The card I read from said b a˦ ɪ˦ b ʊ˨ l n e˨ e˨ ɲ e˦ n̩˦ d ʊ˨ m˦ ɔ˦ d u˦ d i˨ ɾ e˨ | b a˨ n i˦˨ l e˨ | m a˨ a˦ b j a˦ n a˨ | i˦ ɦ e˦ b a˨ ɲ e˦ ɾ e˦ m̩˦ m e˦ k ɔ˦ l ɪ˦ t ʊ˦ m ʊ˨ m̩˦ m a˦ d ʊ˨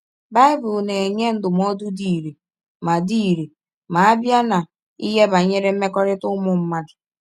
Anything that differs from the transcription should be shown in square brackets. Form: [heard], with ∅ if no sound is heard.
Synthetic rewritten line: b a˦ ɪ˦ b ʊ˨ l n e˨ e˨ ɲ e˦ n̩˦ d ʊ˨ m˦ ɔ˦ d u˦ d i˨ ɾ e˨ | [m] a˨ [d] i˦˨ [ɾ] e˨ | m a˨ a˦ b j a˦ n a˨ | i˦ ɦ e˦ b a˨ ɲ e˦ ɾ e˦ m̩˦ m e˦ k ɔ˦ [ɾ] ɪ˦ t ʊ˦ m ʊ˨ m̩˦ m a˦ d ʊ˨